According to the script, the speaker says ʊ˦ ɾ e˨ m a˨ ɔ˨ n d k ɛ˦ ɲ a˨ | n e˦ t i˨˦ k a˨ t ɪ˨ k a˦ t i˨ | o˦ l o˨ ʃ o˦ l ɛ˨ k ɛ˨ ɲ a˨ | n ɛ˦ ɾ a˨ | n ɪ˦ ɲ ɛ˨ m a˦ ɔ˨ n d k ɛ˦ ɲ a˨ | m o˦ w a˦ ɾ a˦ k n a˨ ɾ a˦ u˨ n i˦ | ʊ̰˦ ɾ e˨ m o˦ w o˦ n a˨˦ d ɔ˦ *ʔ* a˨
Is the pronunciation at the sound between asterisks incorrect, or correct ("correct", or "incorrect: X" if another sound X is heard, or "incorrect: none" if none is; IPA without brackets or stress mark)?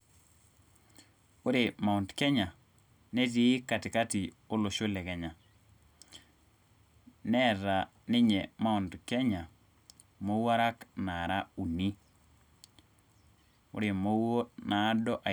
correct